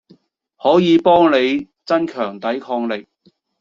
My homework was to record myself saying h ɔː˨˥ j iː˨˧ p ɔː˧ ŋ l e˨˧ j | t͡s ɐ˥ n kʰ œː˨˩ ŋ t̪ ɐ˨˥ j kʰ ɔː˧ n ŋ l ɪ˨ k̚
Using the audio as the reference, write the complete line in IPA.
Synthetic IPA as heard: h ɔː˨˥ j iː˨˧ p ɔː˥ ŋ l e˨˧ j | t͡s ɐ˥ n kʰ œː˨˩ ŋ t̪ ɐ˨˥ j kʰ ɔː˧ ŋ l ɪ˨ k̚

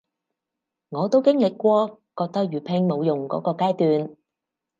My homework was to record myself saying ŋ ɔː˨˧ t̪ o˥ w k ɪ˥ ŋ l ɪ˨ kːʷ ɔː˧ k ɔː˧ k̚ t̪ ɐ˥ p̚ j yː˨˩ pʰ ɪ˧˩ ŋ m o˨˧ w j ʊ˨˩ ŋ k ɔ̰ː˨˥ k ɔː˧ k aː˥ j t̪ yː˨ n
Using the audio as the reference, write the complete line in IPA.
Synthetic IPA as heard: ŋ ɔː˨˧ t̪ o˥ w k ɪ˥ ŋ l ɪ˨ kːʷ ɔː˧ k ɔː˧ k̚ t̪ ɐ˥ k̚ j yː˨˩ pʰ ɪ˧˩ ŋ m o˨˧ w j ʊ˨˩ ŋ k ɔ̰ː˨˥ k ɔː˧ k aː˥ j t̪ yː˨ n

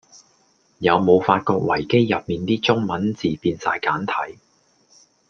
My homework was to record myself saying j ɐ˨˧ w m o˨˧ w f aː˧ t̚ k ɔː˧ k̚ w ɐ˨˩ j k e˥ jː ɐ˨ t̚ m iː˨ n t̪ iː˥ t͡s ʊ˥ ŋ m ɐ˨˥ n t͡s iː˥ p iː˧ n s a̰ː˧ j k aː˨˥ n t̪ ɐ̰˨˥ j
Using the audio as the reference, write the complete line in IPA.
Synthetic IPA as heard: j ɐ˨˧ w m o˨˧ w f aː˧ t̚ k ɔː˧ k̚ w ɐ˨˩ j k e˥ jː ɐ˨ p̚ m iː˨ n t̪ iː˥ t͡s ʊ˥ ŋ m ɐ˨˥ n t͡s iː˨ p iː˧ n s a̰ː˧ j k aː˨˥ n t̪ʰ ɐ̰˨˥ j

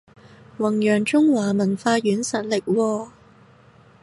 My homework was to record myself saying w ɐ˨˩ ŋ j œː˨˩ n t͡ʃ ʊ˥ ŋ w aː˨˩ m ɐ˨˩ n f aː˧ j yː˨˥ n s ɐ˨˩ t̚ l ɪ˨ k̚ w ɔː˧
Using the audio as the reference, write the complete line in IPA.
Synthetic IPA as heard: w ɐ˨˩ ŋ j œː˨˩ ŋ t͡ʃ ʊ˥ ŋ w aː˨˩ m ɐ˨˩ n f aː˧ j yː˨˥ n s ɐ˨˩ t̚ l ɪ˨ k̚ w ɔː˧

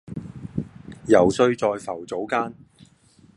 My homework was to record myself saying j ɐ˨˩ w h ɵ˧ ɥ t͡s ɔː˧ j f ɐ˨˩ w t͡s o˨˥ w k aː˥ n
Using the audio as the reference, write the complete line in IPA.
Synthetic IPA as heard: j ɐ˨˩ w s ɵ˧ ɥ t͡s ɔː˧ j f ɐ˨˩ w t͡s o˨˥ w k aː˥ n

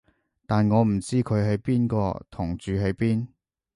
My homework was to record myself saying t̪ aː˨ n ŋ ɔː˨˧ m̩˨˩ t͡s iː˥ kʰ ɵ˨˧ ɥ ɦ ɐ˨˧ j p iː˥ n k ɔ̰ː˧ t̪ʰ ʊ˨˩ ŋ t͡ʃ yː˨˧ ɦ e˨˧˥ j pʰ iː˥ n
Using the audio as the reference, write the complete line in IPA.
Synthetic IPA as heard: t̪ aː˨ n ŋ ɔː˨˧ m̩˨˩ t͡s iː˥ kʰ ɵ˨˧ ɥ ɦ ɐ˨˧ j p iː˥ n k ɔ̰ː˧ t̪ʰ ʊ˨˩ ŋ t͡ʃ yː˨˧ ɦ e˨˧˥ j p iː˥ n

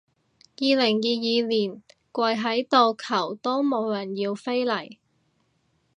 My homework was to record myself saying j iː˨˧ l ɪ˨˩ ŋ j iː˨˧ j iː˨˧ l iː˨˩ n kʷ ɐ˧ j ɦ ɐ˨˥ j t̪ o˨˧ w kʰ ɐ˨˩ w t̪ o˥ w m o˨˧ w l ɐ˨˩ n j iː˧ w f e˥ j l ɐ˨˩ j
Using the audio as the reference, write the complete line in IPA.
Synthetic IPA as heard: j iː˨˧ l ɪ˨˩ ŋ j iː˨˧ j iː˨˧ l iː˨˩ n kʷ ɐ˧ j ɦ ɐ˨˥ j t̪ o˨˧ w kʰ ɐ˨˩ w t̪ o˥ w m o˨˧ w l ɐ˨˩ n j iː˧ w f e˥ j l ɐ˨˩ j

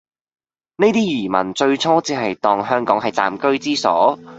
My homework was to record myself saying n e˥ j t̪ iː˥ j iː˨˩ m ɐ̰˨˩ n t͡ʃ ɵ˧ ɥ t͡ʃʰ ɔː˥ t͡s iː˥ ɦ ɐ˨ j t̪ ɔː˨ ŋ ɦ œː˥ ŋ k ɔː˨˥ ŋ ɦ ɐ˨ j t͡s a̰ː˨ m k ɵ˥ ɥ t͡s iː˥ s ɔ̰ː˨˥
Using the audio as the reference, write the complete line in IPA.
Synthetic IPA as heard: n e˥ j t̪ iː˥ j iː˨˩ m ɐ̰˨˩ n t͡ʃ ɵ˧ ɥ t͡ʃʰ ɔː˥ t͡s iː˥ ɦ ɐ˨ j t̪ ɔː˨ ŋ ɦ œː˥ ŋ k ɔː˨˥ ŋ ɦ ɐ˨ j t͡s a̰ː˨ m k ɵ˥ ɥ t͡s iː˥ s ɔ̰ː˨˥

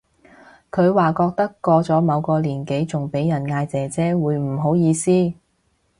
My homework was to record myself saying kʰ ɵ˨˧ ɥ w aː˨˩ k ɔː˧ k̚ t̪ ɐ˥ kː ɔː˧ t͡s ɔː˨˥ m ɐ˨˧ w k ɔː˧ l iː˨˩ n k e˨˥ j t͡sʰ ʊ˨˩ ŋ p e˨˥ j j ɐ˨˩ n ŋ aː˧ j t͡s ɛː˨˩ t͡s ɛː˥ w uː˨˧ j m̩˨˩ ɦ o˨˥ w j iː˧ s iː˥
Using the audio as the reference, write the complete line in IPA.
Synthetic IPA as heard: kʰ ɵ˨˧ ɥ w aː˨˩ k ɔː˧ k̚ t̪ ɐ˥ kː ɔː˧ t͡s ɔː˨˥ m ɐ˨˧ w k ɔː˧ l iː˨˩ n k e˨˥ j t͡s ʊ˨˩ ŋ p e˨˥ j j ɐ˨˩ n ŋ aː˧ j t͡s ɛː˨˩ t͡s ɛː˥ w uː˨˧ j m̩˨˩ ɦ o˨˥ w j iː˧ s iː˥

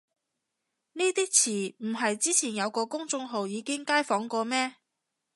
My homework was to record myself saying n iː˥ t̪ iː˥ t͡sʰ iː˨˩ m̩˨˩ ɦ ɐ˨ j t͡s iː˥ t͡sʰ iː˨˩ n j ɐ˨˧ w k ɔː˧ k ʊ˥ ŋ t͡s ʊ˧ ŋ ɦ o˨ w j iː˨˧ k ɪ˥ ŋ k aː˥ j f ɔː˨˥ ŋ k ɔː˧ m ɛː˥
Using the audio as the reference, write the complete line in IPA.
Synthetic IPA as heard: n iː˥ t̪ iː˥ t͡sʰ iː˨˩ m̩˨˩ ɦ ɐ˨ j t͡s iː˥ t͡sʰ iː˨˩ n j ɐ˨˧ w k ɔː˧ k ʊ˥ ŋ t͡s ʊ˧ ŋ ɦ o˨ w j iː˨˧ k ɪ˥ ŋ k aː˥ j f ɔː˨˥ ŋ k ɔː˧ m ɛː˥

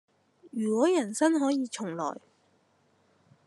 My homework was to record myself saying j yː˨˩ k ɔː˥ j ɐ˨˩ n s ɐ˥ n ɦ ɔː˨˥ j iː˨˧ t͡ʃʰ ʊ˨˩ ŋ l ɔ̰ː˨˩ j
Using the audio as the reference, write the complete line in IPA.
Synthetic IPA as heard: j yː˨˩ k ɔː˨˥ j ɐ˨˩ n s ɐ˥ n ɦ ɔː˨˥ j iː˨˧ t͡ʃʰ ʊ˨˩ ŋ l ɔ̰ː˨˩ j

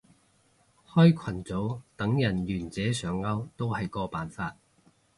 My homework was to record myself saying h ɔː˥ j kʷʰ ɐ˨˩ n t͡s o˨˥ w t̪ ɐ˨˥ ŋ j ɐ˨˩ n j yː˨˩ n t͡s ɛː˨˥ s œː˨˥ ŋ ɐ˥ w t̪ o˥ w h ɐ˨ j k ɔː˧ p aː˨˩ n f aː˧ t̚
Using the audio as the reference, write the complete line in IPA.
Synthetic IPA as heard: h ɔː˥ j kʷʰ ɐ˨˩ n t͡s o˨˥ w t̪ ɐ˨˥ ŋ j ɐ˨˩ n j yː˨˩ n t͡s ɛː˨˥ s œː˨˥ ŋ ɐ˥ w t̪ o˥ w h ɐ˨ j k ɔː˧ p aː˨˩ n f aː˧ t̚

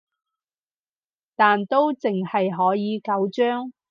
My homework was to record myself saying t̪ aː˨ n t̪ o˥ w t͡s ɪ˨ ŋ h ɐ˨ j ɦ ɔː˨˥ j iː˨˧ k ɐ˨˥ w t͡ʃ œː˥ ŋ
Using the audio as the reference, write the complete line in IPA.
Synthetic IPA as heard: t̪ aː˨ n t̪ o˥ w t͡s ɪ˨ ŋ h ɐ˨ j ɦ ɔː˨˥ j iː˨˧ k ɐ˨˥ w t͡ʃ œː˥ ŋ

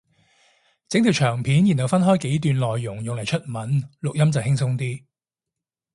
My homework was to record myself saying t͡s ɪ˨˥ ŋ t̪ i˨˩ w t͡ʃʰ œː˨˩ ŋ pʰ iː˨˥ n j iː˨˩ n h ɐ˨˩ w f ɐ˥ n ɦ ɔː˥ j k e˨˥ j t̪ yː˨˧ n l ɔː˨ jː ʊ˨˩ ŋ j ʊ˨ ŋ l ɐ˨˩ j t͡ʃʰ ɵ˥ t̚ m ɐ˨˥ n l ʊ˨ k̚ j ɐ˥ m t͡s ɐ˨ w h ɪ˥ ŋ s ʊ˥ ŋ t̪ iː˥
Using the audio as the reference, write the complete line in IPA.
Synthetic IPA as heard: t͡s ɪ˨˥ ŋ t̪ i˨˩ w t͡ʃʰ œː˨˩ ŋ pʰ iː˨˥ n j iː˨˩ n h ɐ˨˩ w f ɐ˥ n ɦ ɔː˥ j k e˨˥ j t̪ yː˨˧ n l ɔː˨ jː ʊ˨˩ ŋ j ʊ˨ ŋ l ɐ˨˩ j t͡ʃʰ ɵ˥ t̚ m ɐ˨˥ n l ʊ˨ k̚ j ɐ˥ m t͡s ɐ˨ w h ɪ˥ ŋ s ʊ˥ ŋ t̪ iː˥

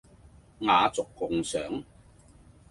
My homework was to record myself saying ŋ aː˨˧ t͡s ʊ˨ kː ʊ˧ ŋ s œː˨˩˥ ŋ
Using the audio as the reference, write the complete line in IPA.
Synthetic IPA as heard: ŋ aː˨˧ t͡s ʊ˨ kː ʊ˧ ŋ s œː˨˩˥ ŋ

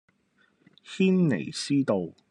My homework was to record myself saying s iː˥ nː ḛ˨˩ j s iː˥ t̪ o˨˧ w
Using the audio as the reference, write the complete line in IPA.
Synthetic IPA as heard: h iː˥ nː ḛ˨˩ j s iː˥ t̪ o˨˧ w

